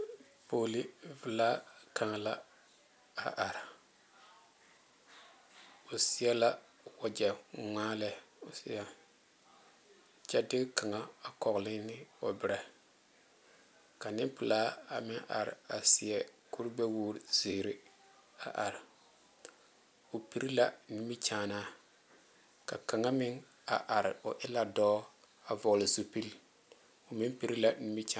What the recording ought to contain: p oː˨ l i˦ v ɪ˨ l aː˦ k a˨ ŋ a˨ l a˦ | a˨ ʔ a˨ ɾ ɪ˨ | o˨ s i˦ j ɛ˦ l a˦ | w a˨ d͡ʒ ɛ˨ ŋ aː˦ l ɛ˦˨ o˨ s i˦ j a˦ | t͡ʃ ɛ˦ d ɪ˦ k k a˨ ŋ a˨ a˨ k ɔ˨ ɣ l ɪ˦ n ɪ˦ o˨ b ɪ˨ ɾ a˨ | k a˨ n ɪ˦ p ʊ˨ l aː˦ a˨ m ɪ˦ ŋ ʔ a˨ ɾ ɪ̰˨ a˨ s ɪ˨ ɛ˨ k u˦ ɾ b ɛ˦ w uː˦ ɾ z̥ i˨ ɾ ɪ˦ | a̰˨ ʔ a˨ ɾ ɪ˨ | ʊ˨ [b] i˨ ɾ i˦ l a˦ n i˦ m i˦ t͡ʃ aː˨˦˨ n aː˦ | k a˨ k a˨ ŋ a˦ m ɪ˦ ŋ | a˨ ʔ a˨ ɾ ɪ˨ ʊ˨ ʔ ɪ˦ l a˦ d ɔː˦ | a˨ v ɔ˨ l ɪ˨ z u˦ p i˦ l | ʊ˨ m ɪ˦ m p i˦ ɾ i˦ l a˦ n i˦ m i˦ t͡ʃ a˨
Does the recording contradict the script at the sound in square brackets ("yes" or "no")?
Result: yes